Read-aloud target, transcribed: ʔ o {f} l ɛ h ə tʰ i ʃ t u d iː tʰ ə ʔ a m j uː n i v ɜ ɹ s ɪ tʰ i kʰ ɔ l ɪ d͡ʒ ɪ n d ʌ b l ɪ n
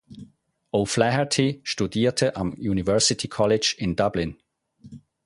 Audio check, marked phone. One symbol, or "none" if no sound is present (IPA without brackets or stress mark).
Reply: f